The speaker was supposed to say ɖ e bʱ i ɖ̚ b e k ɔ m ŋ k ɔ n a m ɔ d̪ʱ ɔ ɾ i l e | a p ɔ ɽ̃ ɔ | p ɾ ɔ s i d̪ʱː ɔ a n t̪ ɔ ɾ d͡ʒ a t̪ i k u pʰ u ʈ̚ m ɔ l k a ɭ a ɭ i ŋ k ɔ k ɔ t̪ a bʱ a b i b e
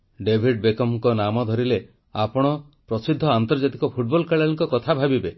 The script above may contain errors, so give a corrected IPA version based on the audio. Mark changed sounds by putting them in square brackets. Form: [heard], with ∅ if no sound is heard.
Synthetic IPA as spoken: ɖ e bʱ i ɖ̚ b e k ɔ m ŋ k ɔ n a m ɔ d̪ʱ ɔ ɾ i l e | a p ɔ ɽ̃ ɔ | p ɾ ɔ s i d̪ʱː ɔ a n t̪ ɔ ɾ d͡ʒ a t̪ i k [ɔ] pʰ u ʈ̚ [b] ɔ l k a ɭ a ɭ i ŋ k ɔ k ɔ [t̪ʰ] a bʱ a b i b e